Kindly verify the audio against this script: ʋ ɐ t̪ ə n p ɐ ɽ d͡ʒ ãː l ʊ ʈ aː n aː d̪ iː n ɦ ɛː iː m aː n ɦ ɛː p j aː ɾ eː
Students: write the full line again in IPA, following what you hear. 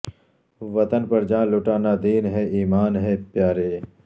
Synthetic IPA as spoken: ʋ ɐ t̪ ə n p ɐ ɾ d͡ʒ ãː l ʊ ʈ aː n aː d̪ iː n ɦ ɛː iː m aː n ɦ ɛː p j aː ɾ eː